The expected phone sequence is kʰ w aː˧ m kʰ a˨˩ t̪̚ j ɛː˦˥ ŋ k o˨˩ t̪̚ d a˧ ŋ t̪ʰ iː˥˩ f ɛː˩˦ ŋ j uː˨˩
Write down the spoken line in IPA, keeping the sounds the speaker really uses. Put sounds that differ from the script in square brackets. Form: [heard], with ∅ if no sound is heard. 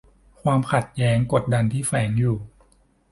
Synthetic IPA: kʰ w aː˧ m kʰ a˨˩ t̪̚ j ɛː˦˥ ŋ k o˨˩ t̪̚ d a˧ [n] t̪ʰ iː˥˩ f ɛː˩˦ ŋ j uː˨˩